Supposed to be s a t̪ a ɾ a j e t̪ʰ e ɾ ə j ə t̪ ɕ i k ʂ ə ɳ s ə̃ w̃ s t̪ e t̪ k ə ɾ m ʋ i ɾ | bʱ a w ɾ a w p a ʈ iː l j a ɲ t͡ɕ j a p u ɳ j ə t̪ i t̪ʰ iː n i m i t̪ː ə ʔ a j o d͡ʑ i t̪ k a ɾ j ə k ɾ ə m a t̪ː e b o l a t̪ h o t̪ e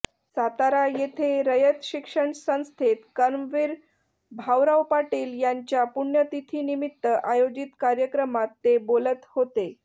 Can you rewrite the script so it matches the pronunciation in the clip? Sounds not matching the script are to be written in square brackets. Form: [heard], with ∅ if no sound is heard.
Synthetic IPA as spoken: s a t̪ a ɾ a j e t̪ʰ e ɾ ə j ə t̪ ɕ i k ʂ ə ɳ s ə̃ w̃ s [t̪ʰ] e t̪ k ə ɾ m ʋ i ɾ | bʱ a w ɾ a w p a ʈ iː l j a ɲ t͡ɕ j a p u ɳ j ə t̪ i t̪ʰ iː n i m i t̪ː ə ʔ a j o d͡ʑ i t̪ k a ɾ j ə k ɾ ə m a t̪ː e b o l [ə] t̪ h o t̪ e